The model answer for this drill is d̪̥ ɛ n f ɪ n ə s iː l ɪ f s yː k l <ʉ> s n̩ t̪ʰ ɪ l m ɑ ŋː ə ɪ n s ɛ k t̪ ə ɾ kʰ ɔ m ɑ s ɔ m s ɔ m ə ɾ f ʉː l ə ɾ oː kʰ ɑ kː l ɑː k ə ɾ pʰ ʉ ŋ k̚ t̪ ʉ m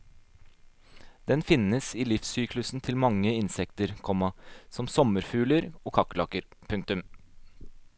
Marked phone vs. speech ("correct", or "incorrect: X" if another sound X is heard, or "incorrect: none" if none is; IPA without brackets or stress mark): correct